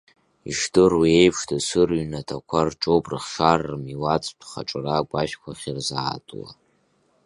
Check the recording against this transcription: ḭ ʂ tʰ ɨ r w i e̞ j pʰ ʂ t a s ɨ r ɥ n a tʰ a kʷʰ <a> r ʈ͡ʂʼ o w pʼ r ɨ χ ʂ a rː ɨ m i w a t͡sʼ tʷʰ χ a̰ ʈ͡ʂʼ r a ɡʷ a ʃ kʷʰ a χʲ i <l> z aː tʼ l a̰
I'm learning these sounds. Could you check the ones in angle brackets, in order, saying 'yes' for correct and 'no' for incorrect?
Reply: yes, no

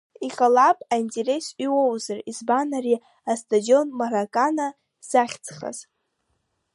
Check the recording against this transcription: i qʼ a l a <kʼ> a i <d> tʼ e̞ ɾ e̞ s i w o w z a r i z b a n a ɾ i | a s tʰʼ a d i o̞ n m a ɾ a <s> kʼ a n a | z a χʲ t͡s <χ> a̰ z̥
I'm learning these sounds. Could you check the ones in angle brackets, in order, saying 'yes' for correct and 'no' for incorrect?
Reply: no, no, no, yes

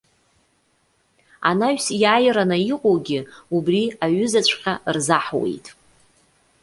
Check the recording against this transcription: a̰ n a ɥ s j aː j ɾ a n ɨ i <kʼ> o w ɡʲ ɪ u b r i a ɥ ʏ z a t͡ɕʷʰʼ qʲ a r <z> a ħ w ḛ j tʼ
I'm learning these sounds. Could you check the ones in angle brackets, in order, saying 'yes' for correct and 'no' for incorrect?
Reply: no, yes

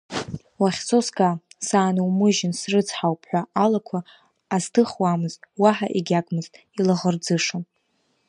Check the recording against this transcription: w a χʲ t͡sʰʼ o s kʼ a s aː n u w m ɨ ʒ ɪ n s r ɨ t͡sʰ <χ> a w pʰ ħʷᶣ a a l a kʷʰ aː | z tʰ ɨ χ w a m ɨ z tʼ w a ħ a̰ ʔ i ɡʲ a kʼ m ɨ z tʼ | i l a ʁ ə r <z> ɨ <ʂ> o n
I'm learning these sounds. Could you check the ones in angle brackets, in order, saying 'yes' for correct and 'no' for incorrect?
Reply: no, no, yes

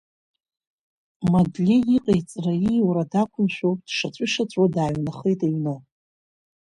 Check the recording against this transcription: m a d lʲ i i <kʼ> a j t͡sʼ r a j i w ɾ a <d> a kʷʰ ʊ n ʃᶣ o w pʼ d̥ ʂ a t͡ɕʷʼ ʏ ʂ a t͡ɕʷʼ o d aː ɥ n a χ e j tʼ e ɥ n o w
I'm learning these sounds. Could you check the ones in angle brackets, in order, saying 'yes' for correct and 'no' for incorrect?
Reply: no, yes

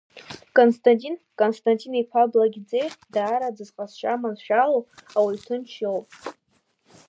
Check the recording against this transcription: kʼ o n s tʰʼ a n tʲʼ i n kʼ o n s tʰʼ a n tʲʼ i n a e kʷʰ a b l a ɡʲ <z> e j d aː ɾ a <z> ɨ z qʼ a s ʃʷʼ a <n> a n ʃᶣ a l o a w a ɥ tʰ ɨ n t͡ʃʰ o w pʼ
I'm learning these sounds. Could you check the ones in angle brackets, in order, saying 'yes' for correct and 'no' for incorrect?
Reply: no, no, no

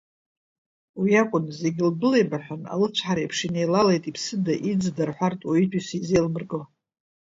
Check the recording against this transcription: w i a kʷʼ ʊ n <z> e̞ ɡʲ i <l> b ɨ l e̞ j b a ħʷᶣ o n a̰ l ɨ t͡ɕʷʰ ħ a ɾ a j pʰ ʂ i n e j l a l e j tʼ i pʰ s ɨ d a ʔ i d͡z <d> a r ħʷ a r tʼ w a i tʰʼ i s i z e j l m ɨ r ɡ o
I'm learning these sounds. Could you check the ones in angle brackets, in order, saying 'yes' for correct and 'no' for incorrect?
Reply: yes, yes, yes

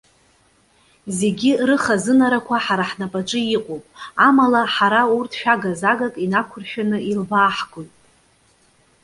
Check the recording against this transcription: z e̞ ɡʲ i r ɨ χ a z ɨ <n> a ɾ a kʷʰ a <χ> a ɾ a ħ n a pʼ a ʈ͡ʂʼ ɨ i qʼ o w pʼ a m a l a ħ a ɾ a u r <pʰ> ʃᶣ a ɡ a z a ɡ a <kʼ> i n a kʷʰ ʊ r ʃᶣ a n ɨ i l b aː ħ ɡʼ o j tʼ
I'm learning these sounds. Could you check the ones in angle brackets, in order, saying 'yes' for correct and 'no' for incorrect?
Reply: yes, no, no, yes

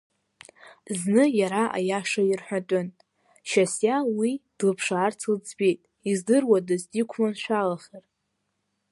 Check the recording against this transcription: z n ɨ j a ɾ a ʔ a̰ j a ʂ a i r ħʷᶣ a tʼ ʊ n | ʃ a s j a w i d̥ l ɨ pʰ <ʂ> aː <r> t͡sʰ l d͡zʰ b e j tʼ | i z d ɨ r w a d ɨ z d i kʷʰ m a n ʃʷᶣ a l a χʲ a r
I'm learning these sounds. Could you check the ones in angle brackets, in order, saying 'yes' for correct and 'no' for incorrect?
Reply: yes, yes

